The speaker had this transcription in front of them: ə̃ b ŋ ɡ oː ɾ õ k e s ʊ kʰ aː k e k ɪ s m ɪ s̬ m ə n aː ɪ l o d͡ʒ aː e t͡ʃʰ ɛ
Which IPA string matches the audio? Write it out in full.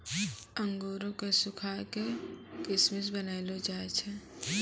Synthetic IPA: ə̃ ŋ ɡ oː ɾ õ k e s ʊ kʰ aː k e k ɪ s m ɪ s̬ b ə n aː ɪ l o d͡ʒ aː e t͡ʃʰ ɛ